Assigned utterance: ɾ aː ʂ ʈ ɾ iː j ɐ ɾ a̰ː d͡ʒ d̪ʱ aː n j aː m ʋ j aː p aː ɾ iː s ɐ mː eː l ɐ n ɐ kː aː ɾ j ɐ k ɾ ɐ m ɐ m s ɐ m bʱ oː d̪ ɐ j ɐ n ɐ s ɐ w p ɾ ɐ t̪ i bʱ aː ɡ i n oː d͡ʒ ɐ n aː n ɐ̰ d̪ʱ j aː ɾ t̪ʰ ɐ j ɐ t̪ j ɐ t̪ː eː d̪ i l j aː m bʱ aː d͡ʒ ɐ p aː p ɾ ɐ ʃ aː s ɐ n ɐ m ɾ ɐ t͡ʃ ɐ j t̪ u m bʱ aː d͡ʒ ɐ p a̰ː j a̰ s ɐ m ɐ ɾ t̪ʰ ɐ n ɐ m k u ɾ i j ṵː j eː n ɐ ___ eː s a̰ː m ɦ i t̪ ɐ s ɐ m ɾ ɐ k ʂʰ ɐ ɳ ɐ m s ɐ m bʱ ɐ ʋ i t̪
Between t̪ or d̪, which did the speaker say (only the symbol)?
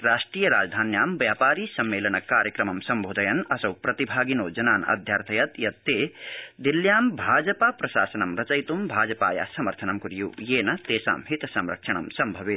t̪